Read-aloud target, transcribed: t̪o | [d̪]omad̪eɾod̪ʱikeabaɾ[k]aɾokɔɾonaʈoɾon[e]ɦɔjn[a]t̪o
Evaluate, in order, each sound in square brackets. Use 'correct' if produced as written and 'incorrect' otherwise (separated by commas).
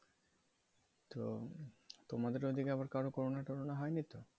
incorrect, correct, incorrect, incorrect